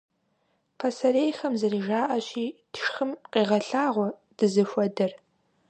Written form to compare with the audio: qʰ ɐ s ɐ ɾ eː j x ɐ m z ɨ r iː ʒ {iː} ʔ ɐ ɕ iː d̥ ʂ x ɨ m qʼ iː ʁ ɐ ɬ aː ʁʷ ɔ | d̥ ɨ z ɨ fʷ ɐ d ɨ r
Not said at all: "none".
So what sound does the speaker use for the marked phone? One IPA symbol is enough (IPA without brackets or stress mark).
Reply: aː